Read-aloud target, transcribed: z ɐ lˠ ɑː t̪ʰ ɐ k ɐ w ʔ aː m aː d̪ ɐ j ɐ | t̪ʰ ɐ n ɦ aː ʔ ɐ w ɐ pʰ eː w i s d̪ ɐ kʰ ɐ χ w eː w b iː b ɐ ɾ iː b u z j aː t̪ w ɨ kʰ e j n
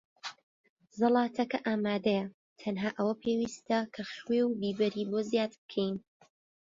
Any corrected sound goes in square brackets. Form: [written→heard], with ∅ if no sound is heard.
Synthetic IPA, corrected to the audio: z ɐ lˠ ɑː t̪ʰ ɐ k ɐ [w→∅] ʔ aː m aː d̪ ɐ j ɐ | t̪ʰ ɐ n ɦ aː ʔ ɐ w ɐ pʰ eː w i s [d̪→t̪] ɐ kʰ ɐ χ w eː w b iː b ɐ ɾ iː b [u→o] z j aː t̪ [w→b] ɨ kʰ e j n